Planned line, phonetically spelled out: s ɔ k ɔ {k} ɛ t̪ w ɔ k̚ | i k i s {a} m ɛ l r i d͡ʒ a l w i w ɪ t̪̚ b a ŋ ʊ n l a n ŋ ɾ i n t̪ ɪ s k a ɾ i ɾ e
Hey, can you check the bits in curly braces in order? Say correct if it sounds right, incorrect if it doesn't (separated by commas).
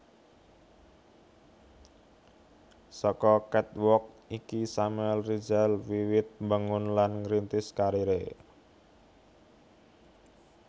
correct, correct